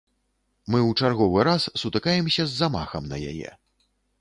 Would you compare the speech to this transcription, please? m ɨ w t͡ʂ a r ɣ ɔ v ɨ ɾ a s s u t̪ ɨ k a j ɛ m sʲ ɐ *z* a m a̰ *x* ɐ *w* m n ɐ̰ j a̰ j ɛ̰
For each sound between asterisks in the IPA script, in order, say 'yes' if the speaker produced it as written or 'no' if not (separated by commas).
no, yes, no